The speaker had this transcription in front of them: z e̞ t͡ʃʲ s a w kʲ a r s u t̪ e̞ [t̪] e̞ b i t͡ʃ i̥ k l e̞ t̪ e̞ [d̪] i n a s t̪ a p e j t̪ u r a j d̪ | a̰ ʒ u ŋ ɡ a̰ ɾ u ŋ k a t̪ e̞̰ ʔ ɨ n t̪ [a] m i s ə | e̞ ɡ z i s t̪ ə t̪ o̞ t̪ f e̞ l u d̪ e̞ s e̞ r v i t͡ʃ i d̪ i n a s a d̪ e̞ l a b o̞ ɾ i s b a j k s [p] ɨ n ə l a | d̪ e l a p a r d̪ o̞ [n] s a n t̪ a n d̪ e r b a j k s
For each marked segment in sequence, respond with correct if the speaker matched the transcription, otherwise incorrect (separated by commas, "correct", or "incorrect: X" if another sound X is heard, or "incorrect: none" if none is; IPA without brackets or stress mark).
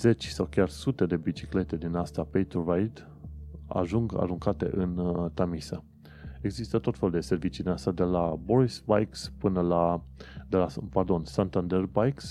incorrect: d̪, correct, correct, correct, correct